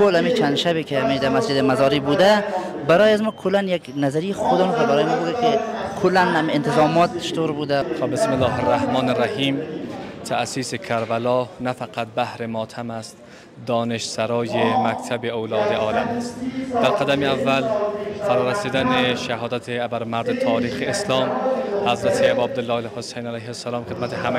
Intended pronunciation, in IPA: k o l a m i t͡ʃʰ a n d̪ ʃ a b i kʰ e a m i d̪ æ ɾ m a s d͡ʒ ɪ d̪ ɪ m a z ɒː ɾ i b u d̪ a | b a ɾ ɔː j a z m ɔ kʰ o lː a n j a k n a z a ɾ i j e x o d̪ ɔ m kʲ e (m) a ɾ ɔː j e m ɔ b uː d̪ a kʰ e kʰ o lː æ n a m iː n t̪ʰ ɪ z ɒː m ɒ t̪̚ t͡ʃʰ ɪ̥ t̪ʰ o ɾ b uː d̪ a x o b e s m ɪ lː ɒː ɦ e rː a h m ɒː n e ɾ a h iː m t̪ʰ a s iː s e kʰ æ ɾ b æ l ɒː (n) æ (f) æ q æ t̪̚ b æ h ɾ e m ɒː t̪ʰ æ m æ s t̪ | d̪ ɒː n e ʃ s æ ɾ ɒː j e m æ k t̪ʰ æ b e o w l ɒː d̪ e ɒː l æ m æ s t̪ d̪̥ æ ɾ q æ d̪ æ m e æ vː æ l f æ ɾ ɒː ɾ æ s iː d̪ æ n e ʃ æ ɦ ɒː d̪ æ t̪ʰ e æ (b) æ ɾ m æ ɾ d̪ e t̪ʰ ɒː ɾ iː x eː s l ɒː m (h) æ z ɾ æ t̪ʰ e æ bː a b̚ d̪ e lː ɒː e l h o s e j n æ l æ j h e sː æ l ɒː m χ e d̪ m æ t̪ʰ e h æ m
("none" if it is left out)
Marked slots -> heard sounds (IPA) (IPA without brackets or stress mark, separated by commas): b, n, f, b, h